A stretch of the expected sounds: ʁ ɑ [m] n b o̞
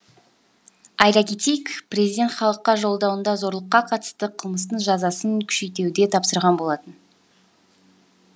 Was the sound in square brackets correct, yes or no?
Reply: no